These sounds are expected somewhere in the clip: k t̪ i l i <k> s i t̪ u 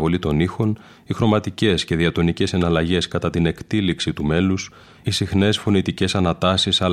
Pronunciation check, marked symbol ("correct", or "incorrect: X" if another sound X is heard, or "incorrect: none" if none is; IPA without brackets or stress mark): correct